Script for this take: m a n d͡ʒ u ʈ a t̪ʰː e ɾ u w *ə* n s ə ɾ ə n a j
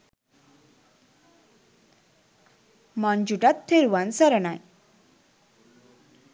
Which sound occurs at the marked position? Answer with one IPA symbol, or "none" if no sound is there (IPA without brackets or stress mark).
a